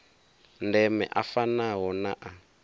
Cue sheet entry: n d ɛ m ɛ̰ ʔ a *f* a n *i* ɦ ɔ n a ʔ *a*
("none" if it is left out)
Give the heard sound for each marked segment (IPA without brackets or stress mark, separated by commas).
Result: f, a, a